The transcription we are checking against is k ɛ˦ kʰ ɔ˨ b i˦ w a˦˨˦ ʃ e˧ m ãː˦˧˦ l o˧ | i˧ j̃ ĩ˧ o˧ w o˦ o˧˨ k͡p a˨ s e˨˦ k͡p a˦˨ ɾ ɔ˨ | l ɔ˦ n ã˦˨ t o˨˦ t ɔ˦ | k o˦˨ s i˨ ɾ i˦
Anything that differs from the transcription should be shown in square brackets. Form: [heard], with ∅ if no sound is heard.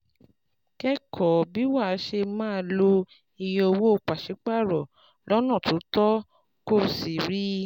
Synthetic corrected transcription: k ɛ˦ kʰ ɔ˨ b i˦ w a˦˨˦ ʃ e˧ m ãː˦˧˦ l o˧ | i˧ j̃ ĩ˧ o˧ w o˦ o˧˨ k͡p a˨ [ʃ] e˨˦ k͡p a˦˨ ɾ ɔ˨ | l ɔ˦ n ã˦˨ t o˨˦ t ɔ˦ | k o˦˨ s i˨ ɾ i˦